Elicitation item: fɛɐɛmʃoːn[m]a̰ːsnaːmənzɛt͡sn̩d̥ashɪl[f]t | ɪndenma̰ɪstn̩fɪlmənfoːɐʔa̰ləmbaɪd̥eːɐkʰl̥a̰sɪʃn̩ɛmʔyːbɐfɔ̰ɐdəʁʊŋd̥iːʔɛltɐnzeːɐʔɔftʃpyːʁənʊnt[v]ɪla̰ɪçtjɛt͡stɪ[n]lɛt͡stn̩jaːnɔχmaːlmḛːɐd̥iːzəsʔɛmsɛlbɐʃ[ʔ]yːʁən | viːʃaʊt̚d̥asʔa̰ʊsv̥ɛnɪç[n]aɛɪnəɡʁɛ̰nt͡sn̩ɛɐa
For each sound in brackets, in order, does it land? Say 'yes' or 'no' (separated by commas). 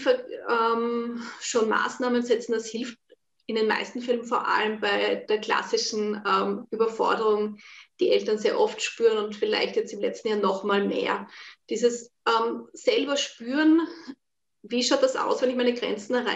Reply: yes, yes, no, no, no, no